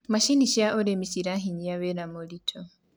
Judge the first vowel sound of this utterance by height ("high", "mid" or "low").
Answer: low